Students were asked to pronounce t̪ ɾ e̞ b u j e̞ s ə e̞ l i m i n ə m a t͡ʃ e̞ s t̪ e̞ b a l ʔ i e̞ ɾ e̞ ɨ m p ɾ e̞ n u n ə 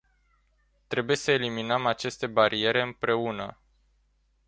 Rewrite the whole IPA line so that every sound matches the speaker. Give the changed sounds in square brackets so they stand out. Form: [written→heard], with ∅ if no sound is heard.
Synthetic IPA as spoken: t̪ ɾ e̞ b u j e̞ s ə e̞ l i m i n ə m a t͡ʃ e̞ s t̪ e̞ b a [l→ɾ] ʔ i e̞ ɾ e̞ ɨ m p ɾ e̞ [n→∅] u n ə